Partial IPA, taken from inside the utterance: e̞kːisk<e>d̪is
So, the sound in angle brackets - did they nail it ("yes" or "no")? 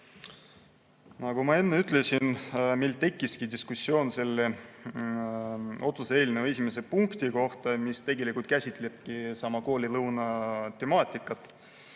no